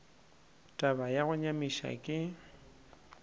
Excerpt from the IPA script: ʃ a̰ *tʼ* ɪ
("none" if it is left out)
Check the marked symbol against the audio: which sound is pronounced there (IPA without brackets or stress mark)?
kʼ